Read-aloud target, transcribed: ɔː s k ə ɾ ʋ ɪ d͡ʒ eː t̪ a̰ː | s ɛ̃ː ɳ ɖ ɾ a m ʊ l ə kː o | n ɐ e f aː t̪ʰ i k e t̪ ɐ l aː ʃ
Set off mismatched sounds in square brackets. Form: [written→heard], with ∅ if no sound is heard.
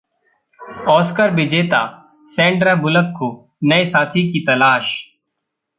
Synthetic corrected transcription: ɔː s k ə ɾ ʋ ɪ d͡ʒ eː t̪ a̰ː | s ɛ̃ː ɳ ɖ ɾ a [m→b] ʊ l ə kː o | n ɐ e [f→s] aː t̪ʰ i k [e→i] t̪ ɐ l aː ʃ